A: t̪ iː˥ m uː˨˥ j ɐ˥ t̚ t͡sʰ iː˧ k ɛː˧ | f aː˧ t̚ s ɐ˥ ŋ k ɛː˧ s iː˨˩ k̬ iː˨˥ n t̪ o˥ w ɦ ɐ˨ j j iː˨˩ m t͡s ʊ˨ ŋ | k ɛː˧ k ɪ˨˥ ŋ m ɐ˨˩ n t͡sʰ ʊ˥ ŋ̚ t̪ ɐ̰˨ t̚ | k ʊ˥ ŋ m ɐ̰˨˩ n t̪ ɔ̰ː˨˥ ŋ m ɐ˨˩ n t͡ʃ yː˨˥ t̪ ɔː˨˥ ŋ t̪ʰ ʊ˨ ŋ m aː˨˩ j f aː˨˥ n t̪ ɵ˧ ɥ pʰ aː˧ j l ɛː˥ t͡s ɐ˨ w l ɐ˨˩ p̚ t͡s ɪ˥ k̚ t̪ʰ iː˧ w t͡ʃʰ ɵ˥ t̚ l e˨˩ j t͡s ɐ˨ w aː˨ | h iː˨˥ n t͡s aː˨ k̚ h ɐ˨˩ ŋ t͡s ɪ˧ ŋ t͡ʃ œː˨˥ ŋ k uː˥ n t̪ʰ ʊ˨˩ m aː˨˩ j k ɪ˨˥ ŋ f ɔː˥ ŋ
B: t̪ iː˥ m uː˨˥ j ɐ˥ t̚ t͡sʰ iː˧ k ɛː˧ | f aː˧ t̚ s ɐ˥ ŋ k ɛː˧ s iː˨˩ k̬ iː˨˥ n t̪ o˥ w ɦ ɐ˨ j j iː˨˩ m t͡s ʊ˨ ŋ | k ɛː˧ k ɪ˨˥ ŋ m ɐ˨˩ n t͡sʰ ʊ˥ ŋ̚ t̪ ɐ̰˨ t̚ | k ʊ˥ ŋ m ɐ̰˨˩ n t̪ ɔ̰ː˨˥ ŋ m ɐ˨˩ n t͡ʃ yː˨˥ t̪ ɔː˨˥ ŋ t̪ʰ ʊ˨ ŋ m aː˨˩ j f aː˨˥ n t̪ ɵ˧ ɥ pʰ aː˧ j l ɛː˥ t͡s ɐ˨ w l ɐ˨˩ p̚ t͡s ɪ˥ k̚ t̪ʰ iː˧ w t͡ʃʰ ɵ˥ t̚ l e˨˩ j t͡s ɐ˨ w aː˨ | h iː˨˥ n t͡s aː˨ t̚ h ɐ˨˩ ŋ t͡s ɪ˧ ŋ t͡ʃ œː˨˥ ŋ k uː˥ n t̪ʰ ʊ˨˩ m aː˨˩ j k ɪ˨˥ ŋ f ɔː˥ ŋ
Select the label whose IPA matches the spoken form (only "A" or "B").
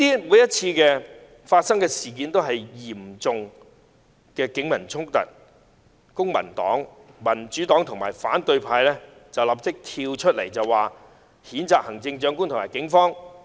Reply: A